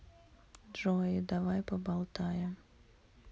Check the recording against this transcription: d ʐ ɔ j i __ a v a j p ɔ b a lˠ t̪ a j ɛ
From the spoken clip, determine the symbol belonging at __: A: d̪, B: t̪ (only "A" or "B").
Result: A